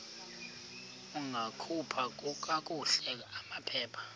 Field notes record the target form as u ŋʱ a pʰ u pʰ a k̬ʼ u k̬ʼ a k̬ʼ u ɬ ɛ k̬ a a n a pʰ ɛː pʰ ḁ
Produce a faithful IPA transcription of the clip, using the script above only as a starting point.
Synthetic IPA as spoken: u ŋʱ a kʰ u pʰ a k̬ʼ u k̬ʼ a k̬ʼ u ɬ ɛ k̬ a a m a pʰ ɛː pʰ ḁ